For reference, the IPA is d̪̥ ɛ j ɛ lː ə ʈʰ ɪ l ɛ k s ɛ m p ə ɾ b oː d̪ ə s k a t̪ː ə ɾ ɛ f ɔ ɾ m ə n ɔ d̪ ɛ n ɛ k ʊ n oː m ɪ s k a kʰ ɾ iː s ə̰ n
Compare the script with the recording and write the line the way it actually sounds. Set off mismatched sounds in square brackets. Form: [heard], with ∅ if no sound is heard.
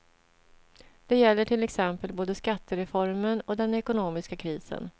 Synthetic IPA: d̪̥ ɛ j ɛ lː ə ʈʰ ɪ l ɛ k s ɛ m p ə [l] b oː d̪ ə s k a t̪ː ə ɾ ɛ f ɔ ɾ m ə n ɔ d̪ ɛ n ɛ k ʊ n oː m ɪ s k a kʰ ɾ iː s ə̰ n